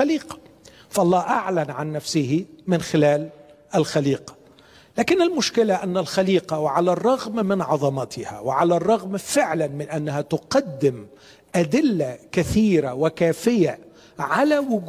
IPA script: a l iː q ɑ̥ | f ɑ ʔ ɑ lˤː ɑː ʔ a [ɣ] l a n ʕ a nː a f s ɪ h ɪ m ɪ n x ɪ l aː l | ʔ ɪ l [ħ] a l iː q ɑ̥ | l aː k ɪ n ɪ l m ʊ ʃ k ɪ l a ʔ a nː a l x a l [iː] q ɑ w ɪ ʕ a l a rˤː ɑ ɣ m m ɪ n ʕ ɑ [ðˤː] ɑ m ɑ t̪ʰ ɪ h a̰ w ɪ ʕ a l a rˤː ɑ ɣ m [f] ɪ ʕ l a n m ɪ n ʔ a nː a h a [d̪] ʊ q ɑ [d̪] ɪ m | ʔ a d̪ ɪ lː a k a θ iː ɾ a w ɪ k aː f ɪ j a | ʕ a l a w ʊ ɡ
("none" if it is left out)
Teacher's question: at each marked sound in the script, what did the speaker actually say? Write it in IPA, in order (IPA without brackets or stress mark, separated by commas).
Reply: ʕ, x, iː, ðˤ, f, t̪, d̪ː